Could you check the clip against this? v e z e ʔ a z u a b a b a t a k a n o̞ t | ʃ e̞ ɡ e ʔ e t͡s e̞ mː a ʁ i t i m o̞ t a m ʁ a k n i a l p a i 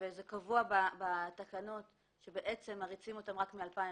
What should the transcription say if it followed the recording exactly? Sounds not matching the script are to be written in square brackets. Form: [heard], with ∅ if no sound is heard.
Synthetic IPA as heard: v e z e [k] a [v] u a b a b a t a k a n o̞ t | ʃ e̞ [b] e ʔ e t͡s e̞ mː a ʁ i [t͡s] i m o̞ t a m ʁ a k [m] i a l p a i